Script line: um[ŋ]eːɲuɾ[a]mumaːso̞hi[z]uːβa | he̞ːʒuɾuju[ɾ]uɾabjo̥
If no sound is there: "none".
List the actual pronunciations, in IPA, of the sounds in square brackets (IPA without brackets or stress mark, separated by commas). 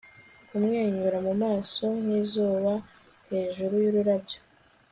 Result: ŋ, a, z, ɾ